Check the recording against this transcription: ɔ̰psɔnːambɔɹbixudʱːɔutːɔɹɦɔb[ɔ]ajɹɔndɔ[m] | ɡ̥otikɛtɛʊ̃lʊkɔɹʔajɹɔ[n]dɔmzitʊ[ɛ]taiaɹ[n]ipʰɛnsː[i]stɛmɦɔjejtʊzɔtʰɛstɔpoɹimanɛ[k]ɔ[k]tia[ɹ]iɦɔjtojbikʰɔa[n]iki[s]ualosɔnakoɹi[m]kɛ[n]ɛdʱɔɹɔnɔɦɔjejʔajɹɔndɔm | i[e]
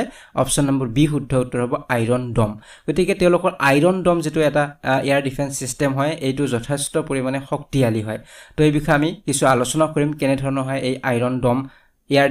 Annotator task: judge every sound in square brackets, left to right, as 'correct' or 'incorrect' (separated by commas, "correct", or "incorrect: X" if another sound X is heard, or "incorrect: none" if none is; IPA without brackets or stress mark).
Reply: correct, correct, correct, correct, incorrect: d, correct, incorrect: x, correct, incorrect: l, incorrect: m, correct, correct, correct, incorrect: a